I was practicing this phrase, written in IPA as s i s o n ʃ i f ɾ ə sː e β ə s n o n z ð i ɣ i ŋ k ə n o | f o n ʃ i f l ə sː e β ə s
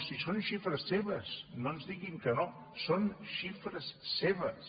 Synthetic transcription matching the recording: s i s o n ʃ i f ɾ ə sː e β ə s n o n z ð i ɣ i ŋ k ə n o | s o n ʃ i f ɾ ə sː e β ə s

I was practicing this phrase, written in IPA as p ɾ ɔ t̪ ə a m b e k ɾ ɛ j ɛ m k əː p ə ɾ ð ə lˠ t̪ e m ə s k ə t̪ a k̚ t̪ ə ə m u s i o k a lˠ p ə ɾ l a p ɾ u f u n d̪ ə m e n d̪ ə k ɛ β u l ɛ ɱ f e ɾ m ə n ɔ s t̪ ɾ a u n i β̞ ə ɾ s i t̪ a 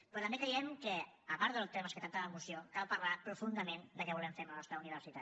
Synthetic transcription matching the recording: p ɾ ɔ t̪ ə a m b e k ɾ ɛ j ɛ m k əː p a ɾ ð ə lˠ t̪ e m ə s k ə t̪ a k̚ t̪ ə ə m u s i o k a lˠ p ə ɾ l a p ɾ u f u n d̪ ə m e n d̪ ə k ɛ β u l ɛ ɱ f e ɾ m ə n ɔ s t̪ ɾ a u n i β̞ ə ɾ s i t̪ a

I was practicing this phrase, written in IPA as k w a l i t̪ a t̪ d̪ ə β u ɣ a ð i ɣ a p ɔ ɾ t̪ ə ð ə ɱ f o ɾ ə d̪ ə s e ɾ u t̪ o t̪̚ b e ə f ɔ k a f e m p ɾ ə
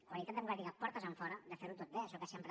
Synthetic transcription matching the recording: k w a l i t̪ a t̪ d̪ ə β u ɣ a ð i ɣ a p ɔ ɾ t̪ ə z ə ɱ f ɔ ɾ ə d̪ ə f e ɾ u t̪ o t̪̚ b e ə ʃ ɔ k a s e m p ɾ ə

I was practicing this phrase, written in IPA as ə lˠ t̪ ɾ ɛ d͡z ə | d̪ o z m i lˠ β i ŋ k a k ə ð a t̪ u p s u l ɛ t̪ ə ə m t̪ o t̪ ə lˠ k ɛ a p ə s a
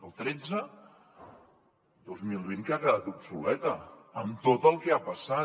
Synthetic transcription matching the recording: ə lˠ t̪ ɾ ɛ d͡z ə | d̪ o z m i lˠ β i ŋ k a k ə ð a t̪ u p s u l ɛ t̪ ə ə m t̪ o t̪ ə lˠ k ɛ a p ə s a

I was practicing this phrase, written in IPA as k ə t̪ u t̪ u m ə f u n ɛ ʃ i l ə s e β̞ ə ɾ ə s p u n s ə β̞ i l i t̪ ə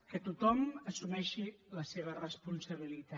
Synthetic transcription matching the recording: k ə t̪ u t̪ ɔ m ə s u m ɛ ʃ i l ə s e β̞ ə r ə s p u n s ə β̞ i l i t̪ a

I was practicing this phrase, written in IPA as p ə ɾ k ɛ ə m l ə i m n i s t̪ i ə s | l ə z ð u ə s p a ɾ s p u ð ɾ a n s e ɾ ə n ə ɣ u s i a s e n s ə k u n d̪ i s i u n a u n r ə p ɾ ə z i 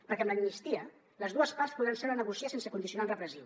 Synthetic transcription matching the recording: p ə ɾ k ɛ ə m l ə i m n i s t̪ i ə | l ə z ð u ə s p a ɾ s p u ð ɾ a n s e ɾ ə n ə ɣ u s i a s e n s ə k u n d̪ i s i u n a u n r ə p ɾ ə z i

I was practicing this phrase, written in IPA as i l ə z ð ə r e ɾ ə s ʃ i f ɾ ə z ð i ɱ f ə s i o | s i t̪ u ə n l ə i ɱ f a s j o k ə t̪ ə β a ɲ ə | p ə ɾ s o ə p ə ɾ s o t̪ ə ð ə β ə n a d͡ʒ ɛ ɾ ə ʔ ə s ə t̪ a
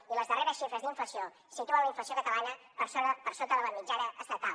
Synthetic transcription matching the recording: i l ə z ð ə r e ɾ ə s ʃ i f ɾ ə z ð i ɱ f ə s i o | s i t̪ u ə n l ə i ɱ f ə s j o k ə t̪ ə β a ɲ ə | p ə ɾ s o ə p ə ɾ s o t̪ ə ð ə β ə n i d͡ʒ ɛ ɾ ə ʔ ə s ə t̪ a

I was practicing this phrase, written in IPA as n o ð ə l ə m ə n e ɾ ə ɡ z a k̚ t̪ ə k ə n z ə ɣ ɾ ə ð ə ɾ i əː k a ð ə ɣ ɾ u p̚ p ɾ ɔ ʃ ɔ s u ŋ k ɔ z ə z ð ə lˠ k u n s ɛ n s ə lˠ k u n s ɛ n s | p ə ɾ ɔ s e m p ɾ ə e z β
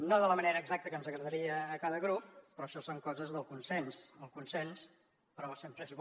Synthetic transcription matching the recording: n o ð ə l ə m ə n e ɾ əː ɡ z a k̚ t̪ ə k ə n z ə ɣ ɾ ə ð ə ɾ i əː k a ð ə ɣ ɾ u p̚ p ɾ ɔ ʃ ɔ s o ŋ k ɔ z ə z ð ə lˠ k u n s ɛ n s ə lˠ k u n s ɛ n s | p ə ɾ ɔ s e m p ɾ ə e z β

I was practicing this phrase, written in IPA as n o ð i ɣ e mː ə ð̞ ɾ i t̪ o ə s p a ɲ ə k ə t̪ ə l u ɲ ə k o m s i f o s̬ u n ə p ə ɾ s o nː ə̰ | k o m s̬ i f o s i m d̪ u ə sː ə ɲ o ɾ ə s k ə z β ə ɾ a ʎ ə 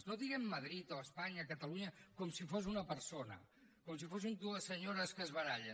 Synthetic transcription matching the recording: n o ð i ɣ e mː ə ð̞ ɾ i t̪ o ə s p a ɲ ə k ə t̪ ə l u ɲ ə k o m s i f o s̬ u n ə p ə ɾ s o n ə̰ | k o m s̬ i f o s i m d̪ u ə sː ə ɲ o ɾ ə s k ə z β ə ɾ a ʎ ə

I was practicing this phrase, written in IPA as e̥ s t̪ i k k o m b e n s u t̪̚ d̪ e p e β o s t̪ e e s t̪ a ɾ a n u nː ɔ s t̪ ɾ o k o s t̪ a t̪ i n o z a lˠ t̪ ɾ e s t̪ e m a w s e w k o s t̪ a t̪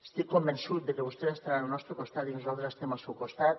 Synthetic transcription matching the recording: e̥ s t̪ i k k o m b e n s u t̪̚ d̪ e k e β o s t̪ e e s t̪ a ɾ a n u n ɔ s t̪ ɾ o k o s t̪ a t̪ i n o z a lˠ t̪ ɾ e s t̪ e m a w s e w k o s t̪ a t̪

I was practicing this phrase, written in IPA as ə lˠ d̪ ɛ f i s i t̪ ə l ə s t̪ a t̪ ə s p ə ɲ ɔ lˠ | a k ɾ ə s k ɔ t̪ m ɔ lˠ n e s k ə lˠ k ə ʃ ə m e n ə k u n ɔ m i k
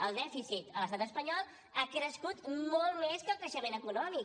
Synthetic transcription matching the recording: ə lˠ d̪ ɛ f i s i t̪ ə l ə s t̪ a t̪ ə s p ə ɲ ɔ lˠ | a k ɾ ə s k u t̪ m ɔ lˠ m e s k ə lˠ k ə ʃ ə m e n ə k u n ɔ m i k

